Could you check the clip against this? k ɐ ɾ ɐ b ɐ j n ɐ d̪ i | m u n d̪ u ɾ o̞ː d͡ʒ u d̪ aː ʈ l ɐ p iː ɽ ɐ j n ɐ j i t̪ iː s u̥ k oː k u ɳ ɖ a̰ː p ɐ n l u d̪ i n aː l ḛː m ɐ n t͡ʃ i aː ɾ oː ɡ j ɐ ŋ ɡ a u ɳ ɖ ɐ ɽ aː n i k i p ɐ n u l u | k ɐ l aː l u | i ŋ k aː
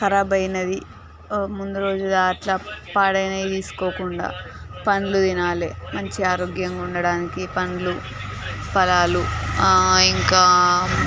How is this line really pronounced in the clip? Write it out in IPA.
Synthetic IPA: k ɐ ɾ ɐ b ɐ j n ɐ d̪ i | m u n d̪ u ɾ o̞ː d͡ʒ u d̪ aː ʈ l ɐ p aː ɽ ɐ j n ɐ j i t̪ iː s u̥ k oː k u ɳ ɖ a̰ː p ɐ n l u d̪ i n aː l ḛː m ɐ ɲ t͡ʃ i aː ɾ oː ɡ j ɐ ŋ ɡ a u ɳ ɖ ɐ ɽ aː n i k i p ɐ n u l u | p ɐ l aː l u | i ŋ k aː